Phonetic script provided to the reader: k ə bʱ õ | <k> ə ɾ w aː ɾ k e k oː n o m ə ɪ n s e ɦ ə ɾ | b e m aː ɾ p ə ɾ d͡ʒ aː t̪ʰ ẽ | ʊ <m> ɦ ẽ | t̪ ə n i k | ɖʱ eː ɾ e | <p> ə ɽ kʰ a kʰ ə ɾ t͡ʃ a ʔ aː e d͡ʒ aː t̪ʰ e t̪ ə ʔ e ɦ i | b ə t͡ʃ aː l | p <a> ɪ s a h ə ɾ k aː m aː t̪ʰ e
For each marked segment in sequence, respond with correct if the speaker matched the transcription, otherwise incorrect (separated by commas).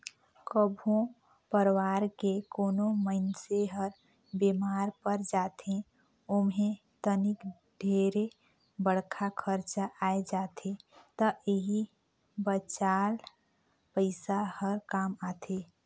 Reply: incorrect, correct, incorrect, incorrect